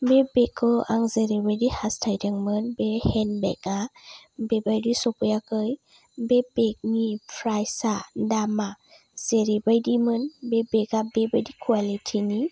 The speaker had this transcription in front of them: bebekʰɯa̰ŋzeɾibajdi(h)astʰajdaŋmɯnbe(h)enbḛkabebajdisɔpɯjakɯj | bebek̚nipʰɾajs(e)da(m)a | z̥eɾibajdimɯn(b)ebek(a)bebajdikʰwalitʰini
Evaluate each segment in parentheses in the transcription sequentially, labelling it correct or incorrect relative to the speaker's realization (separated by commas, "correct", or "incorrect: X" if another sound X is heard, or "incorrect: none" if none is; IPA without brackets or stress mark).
correct, correct, incorrect: a, correct, correct, correct